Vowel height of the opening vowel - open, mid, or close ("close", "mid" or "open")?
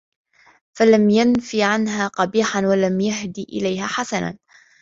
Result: open